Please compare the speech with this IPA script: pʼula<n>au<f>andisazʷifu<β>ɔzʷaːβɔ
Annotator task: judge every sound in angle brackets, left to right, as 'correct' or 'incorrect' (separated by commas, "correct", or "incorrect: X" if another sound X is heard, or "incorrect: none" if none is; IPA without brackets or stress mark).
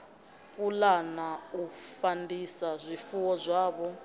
correct, correct, incorrect: w